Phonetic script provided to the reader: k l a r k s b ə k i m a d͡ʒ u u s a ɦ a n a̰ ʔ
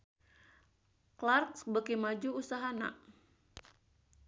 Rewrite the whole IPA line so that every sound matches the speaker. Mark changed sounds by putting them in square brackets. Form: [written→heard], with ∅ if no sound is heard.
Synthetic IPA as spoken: k l a r k s b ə k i m a d͡ʒ u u s a ɦ a n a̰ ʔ